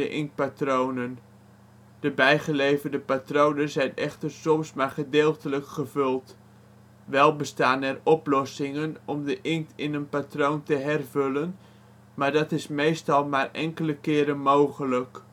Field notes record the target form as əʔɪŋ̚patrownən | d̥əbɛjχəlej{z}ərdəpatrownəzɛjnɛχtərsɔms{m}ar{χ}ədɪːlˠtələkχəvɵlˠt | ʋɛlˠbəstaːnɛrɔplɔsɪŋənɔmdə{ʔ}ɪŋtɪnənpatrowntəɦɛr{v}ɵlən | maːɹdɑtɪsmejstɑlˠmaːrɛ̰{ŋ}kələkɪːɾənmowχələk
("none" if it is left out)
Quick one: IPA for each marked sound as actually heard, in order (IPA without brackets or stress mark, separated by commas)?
v, m, χ, ʔ, v, ŋ